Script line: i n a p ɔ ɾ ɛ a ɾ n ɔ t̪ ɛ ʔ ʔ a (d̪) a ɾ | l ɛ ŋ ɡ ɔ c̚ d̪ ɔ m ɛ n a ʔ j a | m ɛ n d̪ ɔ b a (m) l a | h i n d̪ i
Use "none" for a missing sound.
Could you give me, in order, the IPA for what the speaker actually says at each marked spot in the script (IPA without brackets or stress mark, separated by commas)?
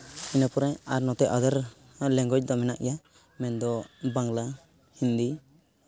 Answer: d̪, ŋ